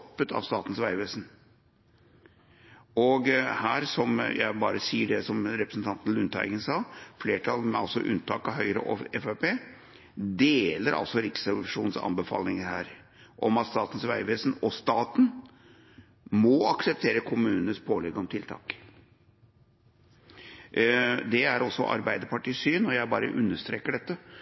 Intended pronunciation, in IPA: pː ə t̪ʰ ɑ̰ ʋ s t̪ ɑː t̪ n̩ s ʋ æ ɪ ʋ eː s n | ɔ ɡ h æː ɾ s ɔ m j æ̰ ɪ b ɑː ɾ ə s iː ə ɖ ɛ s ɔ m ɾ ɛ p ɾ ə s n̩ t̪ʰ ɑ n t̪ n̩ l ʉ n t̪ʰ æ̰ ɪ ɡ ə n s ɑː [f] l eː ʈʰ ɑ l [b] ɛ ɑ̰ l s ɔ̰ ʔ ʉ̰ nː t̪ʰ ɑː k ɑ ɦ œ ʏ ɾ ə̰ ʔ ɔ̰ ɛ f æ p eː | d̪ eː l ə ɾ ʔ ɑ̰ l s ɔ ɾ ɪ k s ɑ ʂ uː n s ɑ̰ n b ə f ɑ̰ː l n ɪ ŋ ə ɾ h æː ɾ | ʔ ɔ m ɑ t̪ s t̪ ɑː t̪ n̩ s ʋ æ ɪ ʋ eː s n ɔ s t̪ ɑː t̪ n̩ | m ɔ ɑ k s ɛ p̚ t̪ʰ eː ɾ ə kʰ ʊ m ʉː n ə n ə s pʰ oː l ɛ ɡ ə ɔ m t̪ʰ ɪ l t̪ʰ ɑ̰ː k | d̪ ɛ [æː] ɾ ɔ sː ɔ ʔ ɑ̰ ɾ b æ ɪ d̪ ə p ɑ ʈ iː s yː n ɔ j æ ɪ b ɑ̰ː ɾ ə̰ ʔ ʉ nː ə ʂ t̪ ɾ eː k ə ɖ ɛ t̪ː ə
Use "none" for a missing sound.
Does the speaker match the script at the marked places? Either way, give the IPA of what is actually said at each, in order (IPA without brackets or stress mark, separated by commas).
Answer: f, m, æ